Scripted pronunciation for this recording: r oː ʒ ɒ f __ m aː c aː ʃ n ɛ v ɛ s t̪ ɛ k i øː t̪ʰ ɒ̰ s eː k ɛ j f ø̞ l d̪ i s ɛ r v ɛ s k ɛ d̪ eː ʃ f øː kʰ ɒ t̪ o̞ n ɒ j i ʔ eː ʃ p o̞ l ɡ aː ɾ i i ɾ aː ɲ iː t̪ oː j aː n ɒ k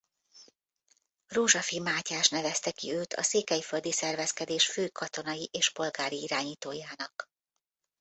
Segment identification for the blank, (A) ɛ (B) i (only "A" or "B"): B